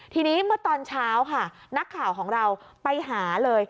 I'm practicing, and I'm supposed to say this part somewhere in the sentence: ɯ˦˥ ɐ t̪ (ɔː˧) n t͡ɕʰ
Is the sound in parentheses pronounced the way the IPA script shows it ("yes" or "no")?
yes